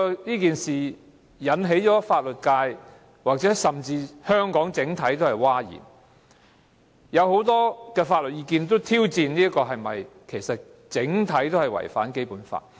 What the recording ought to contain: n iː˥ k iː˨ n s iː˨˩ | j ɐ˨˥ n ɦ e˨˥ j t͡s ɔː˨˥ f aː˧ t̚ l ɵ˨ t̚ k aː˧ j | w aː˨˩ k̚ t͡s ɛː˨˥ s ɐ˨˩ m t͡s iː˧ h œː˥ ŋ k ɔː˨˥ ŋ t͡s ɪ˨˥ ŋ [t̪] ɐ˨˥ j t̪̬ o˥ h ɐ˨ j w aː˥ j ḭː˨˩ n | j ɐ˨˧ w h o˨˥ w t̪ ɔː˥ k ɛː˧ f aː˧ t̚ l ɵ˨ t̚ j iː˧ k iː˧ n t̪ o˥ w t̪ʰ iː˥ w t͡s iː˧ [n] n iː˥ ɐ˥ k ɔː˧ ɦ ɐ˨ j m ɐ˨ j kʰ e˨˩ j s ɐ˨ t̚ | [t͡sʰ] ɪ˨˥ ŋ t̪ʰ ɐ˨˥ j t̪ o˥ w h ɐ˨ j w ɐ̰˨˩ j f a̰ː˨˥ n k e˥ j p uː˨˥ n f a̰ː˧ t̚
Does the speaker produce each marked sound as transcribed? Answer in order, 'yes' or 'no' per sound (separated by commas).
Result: no, yes, no